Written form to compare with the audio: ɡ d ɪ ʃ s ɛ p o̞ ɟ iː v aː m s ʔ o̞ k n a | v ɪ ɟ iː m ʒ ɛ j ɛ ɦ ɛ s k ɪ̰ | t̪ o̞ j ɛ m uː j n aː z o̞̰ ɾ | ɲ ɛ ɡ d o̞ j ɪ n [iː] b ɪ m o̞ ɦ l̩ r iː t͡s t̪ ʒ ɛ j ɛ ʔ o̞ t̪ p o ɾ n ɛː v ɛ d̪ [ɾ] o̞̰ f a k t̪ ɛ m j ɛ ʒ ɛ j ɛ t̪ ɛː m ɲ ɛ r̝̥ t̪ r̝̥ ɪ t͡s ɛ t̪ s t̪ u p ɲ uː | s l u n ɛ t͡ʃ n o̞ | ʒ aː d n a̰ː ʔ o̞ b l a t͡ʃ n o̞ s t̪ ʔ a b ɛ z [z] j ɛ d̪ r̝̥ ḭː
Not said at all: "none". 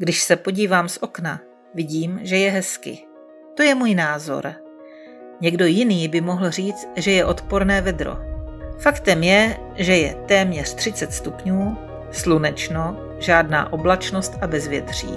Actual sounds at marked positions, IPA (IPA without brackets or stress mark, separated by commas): iː, ɾ, v